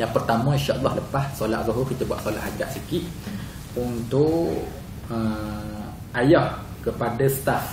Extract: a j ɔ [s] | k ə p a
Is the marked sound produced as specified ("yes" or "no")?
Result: no